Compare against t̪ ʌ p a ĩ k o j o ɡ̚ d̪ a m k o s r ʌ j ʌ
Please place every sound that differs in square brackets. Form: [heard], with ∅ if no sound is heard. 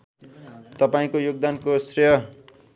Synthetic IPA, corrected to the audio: t̪ ʌ p a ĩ k o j o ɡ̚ d̪ a [n] k o s r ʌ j ʌ